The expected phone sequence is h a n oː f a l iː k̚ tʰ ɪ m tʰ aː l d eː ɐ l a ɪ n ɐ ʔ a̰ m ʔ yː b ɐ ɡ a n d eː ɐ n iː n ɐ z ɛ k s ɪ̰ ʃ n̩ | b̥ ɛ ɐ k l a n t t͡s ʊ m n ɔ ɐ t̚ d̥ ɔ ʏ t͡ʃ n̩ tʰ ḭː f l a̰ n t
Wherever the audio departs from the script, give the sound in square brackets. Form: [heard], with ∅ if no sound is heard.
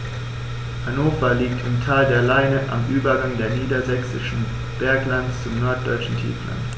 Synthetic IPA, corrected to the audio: h a n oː f a l iː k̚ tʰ ɪ m tʰ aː l d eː ɐ l a ɪ n [ə] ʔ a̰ m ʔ yː b ɐ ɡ a [ŋ] d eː ɐ n iː [d] ɐ z ɛ k s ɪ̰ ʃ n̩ | b̥ ɛ ɐ k l a n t t͡s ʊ m n ɔ ɐ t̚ d̥ ɔ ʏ t͡ʃ n̩ tʰ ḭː f l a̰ n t